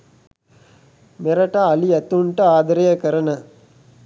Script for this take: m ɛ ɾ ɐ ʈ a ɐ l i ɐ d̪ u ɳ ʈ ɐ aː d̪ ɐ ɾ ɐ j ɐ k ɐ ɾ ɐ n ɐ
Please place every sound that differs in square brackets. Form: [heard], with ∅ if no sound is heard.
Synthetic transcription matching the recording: m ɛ ɾ ɐ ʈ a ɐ l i ɐ [t̪] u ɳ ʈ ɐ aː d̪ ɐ ɾ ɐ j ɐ k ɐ ɾ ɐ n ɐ

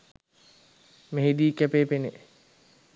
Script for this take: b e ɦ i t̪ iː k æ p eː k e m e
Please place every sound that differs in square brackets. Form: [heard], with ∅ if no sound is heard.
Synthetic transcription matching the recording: [m] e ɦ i [d̪] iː k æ p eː [p] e [n] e

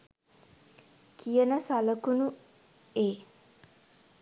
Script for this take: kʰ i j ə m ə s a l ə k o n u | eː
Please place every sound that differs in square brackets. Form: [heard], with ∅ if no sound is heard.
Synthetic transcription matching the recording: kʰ i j ə [n] ə s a l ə k [u] n u | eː

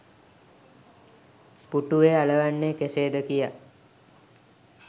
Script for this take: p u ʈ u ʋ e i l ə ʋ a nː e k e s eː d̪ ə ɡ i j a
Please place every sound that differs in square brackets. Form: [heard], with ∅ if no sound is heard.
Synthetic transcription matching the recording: p u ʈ u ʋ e [a] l ə ʋ a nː e k e s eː d̪ ə [k] i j a

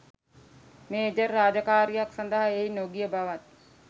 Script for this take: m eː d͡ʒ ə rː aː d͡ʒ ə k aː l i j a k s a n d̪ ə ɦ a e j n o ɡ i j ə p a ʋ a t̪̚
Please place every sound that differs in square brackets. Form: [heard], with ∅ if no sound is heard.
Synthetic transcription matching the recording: m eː d͡ʒ ə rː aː d͡ʒ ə k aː [ɾ] i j a k s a n d̪ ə ɦ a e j n o ɡ i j ə [b] a ʋ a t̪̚

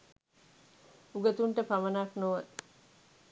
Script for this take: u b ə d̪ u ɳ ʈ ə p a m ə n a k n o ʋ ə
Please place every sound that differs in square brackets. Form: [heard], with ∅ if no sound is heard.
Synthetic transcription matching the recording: u [ɡ] ə [t̪] u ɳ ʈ ə p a m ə n a k n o ʋ ə

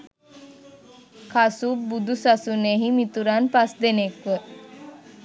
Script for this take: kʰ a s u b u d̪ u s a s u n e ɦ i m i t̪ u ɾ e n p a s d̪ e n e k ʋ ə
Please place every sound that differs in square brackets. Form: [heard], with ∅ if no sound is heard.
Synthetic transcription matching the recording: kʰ a s u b u d̪ u s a s u n e ɦ i m i t̪ u ɾ [a] n p a s d̪ e n e k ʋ ə

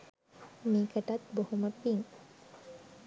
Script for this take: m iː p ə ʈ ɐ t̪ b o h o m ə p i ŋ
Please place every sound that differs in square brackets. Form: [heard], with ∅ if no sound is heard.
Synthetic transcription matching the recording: m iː [k] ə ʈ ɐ t̪ b o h [u] m ə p i ŋ

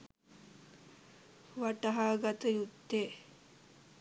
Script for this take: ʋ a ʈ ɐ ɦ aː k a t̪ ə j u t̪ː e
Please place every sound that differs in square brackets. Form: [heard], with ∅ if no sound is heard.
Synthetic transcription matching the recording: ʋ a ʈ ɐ ɦ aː [ɡ] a t̪ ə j u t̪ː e

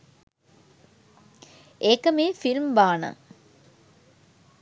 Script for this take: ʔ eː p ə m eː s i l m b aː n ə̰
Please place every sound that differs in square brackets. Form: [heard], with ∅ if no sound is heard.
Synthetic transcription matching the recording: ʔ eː [k] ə m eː [f] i l m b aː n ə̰

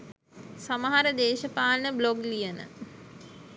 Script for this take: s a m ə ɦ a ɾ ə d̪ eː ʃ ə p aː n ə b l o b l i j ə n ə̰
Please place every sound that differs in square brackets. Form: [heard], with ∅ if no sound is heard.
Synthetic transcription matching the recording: s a m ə ɦ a ɾ ə d̪ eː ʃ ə p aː n ə b l o [ɡ] l i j ə n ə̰

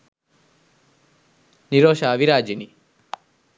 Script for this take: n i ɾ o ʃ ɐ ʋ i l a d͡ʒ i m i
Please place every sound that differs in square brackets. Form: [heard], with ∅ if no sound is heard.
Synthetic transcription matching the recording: n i ɾ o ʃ [a] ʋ i [ɾ] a d͡ʒ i [n] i

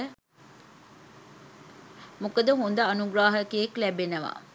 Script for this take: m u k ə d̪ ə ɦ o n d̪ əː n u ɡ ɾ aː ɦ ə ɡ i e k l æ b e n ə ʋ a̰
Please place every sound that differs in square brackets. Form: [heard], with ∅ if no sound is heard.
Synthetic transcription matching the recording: m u k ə d̪ ə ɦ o n d̪ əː n u ɡ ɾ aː ɦ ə [k] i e k l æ b e n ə ʋ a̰

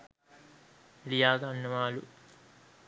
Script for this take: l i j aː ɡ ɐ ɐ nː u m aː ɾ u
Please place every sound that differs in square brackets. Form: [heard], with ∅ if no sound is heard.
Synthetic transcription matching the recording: l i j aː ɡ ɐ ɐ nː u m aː [l] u

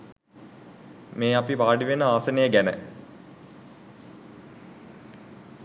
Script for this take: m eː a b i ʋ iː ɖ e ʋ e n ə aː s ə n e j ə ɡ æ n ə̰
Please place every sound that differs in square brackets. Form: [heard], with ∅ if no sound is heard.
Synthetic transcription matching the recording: m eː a [p] i ʋ [aː] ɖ [i] ʋ e n ə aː s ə n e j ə ɡ æ n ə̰

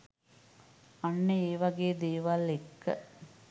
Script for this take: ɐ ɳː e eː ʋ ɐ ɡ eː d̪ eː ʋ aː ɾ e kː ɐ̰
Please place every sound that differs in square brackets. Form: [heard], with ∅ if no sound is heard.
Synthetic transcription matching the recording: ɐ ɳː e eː ʋ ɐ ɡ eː d̪ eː ʋ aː [l] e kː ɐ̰

